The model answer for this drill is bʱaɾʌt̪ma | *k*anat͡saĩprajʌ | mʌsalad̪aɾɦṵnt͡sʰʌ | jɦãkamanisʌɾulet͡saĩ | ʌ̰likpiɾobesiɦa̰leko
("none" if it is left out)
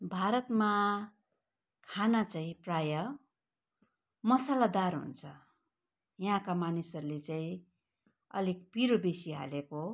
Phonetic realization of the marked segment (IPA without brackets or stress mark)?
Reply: kʰ